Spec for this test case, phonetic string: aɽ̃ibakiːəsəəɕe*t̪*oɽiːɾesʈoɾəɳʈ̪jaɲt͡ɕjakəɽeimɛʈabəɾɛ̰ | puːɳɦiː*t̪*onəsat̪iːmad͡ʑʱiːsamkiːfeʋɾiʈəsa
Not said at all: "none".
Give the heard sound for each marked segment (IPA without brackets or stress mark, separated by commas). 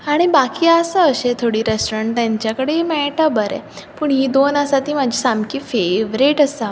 t̪ʰ, d̪